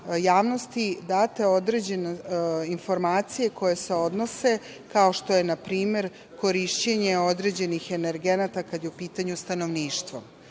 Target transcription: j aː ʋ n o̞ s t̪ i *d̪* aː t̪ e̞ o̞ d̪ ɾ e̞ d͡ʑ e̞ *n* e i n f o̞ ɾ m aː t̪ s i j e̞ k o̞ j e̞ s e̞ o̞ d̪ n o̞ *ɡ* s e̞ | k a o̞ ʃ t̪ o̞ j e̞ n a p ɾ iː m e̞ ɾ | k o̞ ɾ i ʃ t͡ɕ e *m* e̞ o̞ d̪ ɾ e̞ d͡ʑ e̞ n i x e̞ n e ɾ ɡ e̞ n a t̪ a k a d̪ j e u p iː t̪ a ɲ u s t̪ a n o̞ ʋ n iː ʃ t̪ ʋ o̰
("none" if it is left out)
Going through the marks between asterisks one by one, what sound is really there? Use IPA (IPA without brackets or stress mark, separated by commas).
d̪, n, none, ɲ